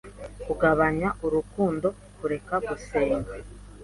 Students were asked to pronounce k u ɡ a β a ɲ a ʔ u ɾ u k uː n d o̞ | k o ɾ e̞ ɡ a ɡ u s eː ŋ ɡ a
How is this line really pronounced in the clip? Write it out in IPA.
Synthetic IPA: k u ɡ a β a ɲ a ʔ u ɾ u k uː n d o̞ | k u ɾ e̞ k a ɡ u s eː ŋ ɡ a